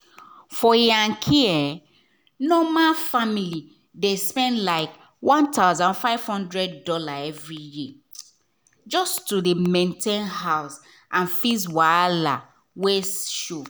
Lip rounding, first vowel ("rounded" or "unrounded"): rounded